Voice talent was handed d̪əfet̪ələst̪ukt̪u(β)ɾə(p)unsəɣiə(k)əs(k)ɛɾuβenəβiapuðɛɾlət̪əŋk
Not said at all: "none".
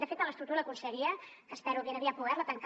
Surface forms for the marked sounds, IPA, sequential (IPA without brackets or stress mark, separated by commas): none, k, k, p